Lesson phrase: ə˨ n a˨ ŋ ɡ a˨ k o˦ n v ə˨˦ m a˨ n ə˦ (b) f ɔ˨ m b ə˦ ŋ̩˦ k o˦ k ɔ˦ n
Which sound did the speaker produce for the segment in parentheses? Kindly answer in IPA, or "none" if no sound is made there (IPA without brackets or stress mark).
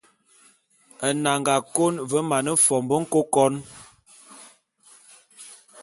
none